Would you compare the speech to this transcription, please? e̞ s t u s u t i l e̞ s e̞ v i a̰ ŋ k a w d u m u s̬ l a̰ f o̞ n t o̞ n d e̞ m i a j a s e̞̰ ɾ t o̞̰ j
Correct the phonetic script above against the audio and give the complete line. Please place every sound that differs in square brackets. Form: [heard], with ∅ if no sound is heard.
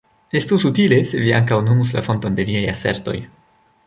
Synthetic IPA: e̞ s t u s u t i l e̞ s e̞ v i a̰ ŋ k a w [n] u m u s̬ l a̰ f o̞ n t o̞ n d e̞ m i a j a s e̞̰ ɾ t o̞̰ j

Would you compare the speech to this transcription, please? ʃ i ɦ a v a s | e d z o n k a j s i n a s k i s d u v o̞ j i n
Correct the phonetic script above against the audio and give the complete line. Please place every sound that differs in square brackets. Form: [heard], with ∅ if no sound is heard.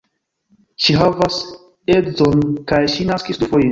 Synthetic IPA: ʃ i ɦ a v a s | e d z o n k a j [ʃ] i n a s k i s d u [f] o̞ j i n

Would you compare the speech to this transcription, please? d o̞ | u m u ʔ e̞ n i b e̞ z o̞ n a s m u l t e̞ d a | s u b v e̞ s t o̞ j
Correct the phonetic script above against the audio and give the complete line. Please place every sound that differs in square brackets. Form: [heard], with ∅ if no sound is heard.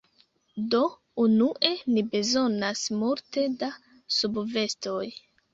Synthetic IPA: d o̞ | u [n] u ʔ e̞ n i b e̞ z o̞ n a s m u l t e̞ d a | s u b v e̞ s t o̞ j

